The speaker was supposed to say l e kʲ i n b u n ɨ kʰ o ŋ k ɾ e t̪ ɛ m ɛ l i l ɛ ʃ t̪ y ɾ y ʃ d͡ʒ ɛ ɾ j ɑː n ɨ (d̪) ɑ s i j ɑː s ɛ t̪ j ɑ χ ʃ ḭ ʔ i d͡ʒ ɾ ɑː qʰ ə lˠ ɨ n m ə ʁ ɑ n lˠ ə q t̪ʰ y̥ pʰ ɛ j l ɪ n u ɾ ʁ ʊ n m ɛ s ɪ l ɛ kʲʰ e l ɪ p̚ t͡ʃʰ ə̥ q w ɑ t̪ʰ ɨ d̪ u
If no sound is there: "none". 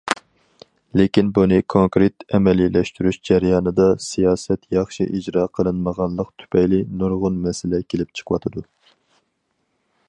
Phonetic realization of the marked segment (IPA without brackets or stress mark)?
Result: d̪